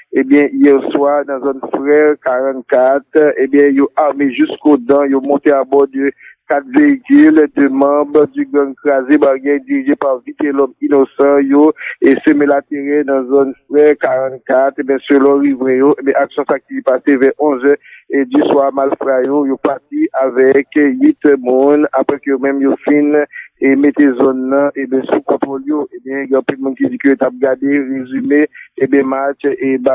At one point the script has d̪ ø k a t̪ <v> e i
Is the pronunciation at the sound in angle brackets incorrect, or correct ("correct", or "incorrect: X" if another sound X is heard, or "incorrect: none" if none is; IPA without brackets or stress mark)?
correct